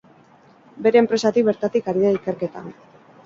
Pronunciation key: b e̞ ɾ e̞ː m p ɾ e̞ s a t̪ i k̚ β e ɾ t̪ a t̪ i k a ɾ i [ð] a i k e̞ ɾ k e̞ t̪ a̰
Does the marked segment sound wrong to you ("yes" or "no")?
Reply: no